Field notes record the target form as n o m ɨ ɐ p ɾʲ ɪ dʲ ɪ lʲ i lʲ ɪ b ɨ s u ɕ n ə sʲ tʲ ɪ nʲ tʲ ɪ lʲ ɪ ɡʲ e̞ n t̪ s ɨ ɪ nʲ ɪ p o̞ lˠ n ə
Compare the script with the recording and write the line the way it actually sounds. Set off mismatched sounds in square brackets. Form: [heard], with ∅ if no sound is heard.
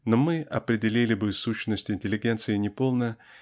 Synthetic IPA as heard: n o m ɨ ɐ p ɾʲ ɪ dʲ ɪ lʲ i lʲ ɪ b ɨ s u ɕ n ə sʲ tʲ ɪ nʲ tʲ ɪ lʲ ɪ ɡʲ e̞ n t̪ s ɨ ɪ nʲ ɪ p o̞ lˠ n ə